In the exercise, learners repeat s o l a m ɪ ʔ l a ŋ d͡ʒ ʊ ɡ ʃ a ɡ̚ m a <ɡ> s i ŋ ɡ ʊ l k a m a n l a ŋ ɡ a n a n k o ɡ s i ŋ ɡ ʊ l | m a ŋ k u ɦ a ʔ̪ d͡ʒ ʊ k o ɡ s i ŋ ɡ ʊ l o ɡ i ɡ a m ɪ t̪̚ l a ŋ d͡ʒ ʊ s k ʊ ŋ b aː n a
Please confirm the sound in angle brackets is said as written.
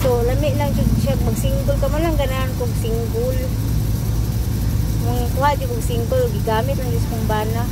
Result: yes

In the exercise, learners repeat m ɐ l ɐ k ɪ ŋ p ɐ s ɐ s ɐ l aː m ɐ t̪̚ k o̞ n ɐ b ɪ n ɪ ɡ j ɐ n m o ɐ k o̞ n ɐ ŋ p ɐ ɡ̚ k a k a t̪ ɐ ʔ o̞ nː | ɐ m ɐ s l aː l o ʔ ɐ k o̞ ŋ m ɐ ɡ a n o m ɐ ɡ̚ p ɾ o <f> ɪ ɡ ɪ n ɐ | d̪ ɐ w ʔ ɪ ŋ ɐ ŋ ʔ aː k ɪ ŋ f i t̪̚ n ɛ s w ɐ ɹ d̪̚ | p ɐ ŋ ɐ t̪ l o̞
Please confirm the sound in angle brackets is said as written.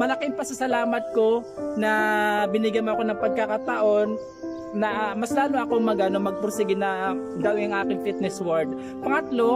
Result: no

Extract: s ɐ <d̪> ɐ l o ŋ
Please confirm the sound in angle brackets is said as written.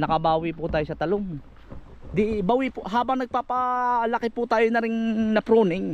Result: no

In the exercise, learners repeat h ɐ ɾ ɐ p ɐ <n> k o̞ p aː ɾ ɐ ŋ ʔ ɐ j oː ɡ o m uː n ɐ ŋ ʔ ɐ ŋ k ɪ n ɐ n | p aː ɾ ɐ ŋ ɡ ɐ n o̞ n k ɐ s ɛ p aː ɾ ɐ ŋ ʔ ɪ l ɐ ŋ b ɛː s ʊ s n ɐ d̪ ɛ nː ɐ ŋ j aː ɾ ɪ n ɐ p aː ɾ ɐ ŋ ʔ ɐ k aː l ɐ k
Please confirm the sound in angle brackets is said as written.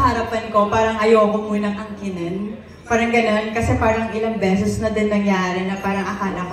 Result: yes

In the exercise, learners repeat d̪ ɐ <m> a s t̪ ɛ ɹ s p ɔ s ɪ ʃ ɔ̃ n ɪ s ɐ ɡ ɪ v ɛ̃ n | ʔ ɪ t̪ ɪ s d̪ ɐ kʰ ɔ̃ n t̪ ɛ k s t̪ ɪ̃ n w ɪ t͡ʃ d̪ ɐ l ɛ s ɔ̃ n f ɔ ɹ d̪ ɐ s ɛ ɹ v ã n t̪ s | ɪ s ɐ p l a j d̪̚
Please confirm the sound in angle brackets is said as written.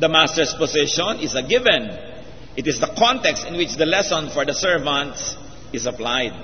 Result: yes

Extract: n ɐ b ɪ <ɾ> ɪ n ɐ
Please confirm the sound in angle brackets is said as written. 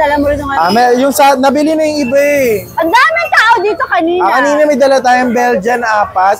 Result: no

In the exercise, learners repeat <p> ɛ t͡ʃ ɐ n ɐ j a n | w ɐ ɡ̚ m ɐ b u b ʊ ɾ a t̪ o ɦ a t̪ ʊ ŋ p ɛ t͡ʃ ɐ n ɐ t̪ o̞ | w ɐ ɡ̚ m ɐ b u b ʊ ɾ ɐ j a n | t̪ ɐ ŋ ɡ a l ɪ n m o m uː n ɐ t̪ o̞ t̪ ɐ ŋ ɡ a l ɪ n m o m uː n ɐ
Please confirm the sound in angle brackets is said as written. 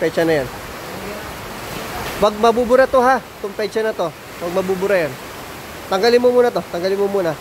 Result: yes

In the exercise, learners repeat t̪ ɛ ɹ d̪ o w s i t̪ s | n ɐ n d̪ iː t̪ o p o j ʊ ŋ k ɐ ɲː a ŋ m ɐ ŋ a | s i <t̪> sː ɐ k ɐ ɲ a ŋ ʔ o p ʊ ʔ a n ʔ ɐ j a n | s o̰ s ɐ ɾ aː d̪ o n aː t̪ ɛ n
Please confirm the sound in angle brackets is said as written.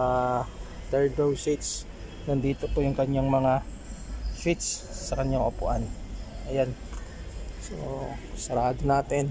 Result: yes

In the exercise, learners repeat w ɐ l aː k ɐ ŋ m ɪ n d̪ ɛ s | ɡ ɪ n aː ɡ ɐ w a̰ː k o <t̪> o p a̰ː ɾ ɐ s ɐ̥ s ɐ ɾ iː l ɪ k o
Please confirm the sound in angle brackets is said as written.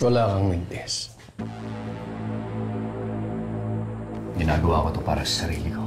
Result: yes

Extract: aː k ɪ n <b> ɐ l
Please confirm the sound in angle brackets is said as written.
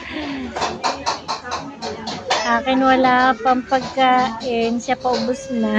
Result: no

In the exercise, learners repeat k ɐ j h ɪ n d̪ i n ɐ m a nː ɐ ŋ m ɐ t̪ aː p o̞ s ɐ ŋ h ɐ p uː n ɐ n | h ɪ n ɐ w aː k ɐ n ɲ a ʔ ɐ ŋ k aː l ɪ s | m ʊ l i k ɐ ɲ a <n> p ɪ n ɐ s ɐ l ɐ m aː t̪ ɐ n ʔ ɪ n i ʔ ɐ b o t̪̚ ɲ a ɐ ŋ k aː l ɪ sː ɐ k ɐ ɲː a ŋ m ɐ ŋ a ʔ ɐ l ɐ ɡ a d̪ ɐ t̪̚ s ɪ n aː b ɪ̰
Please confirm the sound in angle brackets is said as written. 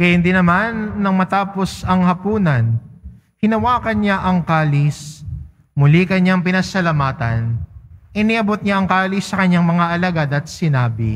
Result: no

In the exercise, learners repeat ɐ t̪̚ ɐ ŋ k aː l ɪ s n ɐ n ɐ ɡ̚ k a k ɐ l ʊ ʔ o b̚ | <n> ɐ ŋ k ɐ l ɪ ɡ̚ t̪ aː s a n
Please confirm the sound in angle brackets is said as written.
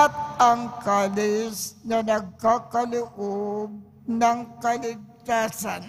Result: yes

